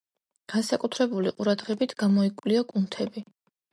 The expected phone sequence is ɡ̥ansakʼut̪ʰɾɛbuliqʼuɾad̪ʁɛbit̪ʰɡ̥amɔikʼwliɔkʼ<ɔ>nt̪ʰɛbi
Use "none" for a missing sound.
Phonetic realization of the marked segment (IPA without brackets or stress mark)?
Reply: u